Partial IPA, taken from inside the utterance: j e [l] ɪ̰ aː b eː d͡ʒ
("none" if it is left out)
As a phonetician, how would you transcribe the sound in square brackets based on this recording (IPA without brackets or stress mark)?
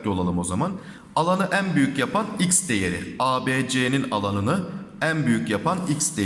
ɾ